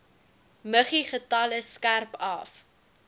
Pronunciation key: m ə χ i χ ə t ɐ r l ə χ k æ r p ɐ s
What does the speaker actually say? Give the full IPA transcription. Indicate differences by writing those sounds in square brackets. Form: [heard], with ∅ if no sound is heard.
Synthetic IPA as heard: m ə χ i χ ə t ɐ [∅] l ə [s] k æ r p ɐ [f]